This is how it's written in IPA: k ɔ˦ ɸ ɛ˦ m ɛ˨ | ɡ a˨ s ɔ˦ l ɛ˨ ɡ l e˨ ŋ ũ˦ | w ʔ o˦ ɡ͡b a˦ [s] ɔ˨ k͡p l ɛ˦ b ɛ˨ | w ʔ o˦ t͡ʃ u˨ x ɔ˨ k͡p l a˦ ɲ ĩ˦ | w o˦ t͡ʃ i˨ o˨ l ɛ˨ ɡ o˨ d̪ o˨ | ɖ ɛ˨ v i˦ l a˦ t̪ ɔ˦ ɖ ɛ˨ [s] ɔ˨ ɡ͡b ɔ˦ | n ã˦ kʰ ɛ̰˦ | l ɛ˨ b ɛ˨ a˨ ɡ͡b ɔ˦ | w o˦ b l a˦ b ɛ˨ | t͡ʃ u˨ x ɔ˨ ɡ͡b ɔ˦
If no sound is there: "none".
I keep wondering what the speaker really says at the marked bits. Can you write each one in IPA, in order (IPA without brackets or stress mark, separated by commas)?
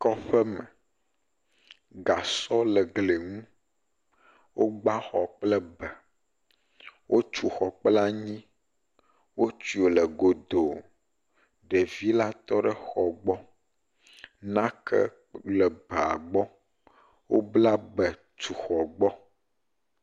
x, x